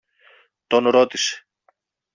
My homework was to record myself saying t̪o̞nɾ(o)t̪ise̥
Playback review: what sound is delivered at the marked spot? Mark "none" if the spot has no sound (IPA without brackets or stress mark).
o